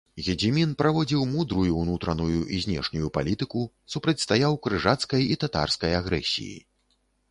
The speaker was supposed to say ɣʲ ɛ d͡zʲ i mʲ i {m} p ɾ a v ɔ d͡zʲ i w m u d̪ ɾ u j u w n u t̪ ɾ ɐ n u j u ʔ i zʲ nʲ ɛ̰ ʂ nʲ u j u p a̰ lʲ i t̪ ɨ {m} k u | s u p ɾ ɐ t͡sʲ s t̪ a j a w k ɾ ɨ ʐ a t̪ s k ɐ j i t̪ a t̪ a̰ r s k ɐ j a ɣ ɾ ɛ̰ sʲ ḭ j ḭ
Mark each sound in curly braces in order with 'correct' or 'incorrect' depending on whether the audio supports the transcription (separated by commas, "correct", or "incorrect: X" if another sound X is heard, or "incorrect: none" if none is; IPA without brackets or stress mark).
incorrect: n, incorrect: none